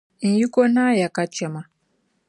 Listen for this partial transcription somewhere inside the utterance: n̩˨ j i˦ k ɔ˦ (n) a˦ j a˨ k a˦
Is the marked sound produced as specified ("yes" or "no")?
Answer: yes